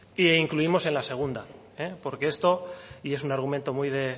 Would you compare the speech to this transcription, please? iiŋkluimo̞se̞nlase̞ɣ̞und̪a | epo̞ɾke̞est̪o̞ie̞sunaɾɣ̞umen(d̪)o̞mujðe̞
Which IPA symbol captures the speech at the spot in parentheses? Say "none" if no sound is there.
t̪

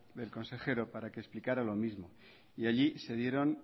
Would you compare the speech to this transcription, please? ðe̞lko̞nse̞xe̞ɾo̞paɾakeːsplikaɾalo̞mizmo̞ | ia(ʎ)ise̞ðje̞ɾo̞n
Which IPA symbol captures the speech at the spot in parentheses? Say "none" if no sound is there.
ʎ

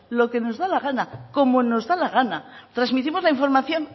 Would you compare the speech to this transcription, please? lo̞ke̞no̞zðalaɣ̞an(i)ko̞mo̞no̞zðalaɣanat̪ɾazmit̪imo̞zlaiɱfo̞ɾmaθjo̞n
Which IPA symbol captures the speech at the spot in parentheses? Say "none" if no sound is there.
a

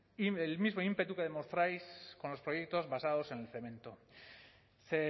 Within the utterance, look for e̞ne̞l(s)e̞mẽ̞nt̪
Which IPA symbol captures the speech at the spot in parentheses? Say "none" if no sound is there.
θ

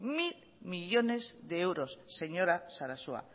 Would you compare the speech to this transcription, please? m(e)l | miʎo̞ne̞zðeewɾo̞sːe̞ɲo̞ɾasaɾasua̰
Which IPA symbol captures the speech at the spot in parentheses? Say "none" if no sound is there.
i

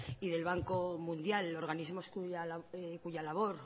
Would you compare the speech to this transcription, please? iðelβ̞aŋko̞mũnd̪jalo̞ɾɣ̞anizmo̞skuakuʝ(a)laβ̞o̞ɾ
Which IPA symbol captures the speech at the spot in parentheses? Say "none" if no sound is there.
a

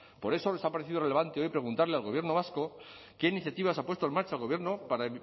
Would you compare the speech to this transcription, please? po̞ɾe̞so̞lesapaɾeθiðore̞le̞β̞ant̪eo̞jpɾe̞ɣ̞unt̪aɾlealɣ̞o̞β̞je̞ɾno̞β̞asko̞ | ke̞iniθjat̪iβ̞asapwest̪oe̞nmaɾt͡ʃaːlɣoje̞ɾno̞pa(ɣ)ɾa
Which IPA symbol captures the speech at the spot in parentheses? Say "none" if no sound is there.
none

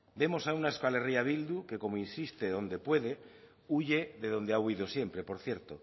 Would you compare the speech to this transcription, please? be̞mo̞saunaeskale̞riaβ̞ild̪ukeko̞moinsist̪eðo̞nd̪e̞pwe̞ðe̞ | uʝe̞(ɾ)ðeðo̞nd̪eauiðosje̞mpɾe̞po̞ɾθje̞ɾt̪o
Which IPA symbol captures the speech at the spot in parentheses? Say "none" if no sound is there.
none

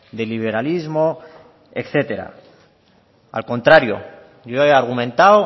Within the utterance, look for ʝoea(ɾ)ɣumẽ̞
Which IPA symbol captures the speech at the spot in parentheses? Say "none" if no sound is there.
ɾ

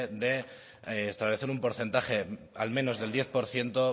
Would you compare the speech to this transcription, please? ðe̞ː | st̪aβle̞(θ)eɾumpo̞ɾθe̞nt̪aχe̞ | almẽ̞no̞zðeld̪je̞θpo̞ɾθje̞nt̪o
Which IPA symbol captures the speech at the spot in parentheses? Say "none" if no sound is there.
θ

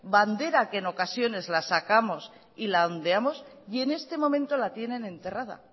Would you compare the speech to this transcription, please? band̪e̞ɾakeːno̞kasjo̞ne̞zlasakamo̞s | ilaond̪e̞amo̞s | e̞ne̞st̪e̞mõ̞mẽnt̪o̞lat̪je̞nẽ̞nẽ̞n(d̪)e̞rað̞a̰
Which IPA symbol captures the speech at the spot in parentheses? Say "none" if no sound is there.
t̪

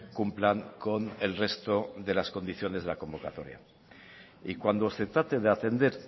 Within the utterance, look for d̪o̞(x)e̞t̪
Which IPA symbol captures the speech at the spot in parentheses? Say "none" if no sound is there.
s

